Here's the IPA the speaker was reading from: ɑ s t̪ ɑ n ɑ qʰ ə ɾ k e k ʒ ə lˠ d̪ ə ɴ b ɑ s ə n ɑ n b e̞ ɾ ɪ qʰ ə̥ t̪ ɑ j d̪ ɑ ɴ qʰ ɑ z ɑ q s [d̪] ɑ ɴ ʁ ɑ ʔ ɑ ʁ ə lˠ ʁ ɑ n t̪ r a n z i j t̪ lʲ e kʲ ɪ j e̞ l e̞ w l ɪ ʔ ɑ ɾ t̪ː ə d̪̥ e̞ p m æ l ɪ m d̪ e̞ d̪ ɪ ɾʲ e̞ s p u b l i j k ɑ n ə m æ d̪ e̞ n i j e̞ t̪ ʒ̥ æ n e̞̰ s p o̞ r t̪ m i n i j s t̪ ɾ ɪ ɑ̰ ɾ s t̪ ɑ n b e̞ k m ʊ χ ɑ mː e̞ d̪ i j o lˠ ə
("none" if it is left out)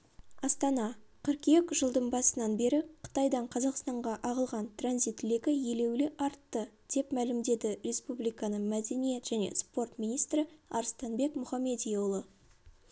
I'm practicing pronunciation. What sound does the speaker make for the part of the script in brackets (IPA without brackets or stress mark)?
t̪